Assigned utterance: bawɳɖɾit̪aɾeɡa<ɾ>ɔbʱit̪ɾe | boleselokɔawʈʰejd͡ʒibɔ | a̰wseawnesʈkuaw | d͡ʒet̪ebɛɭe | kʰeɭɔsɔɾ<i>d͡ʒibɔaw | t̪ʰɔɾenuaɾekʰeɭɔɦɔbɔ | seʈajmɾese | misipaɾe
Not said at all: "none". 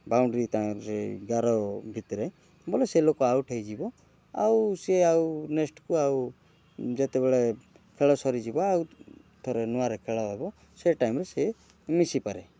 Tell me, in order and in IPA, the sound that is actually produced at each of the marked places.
ɾ, i

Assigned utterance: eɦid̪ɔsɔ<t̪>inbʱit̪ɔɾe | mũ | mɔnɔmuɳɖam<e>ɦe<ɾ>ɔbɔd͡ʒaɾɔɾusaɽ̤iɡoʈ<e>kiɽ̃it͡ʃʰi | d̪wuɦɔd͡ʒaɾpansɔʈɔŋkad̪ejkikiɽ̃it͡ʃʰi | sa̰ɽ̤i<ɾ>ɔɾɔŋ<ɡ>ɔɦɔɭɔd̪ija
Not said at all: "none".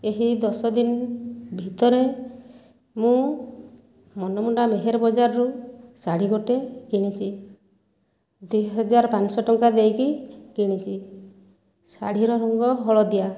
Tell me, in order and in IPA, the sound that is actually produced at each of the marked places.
d̪, e, ɾ, e, ɾ, ɡ

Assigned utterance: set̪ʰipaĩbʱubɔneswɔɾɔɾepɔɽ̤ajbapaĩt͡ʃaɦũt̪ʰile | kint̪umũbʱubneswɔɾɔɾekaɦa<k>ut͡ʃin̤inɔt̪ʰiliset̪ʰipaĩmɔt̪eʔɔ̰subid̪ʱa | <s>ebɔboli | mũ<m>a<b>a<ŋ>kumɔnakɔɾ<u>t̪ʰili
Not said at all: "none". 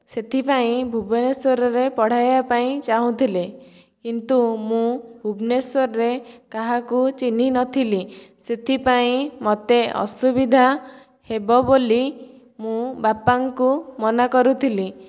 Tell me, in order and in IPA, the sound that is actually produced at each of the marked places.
k, h, b, p, ŋ, u

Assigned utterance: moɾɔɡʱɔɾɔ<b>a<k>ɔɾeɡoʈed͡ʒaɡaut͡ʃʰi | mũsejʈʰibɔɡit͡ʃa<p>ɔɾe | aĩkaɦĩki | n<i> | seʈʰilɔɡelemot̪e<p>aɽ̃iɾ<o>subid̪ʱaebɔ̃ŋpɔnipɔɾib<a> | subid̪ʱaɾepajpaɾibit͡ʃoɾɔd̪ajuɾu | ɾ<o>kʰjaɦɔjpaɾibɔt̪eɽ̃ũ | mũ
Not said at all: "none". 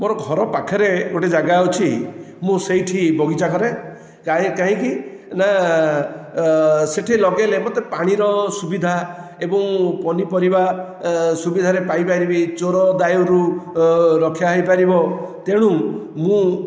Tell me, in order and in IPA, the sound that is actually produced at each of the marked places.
p, kʰ, k, a, p, ɔ, a, ɔ

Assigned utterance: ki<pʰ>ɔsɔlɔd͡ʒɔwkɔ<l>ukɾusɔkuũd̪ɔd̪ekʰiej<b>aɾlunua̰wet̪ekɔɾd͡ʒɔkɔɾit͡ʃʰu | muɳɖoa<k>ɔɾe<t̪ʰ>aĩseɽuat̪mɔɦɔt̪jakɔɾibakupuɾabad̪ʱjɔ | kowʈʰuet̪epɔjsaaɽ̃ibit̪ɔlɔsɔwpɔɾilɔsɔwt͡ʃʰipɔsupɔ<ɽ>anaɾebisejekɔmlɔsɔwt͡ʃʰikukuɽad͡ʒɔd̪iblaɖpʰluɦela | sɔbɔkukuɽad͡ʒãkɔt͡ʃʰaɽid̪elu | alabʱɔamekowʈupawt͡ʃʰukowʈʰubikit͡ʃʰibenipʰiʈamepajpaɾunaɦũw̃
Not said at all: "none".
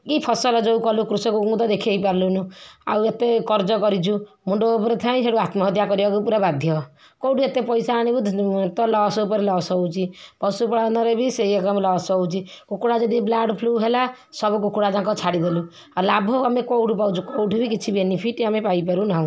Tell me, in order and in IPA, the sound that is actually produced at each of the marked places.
pʰ, l, p, p, t̪ʰ, ɽ

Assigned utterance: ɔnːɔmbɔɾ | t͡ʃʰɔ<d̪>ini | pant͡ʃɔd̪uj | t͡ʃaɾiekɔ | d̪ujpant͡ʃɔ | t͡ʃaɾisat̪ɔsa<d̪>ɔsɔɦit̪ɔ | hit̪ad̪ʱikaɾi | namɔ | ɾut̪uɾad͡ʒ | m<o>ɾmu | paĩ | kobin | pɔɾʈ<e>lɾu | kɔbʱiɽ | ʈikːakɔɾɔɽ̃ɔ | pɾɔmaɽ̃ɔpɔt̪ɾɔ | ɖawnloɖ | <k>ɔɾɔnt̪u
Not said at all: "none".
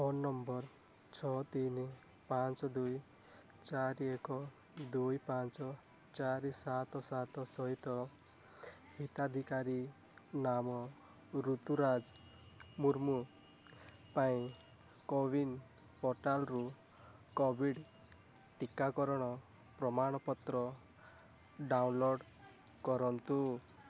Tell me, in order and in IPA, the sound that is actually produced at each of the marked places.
t̪, t̪, u, a, k

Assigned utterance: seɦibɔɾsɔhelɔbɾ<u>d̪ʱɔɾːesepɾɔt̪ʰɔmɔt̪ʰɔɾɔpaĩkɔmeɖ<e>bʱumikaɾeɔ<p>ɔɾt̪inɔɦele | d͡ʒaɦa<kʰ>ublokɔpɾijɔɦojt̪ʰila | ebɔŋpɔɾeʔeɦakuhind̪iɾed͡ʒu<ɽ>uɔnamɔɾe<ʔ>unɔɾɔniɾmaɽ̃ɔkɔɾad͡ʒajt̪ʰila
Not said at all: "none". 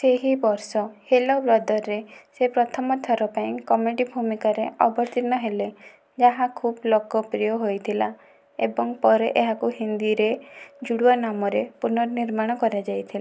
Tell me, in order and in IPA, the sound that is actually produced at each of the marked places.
ɔ, i, b, kʰ, ɽ, p

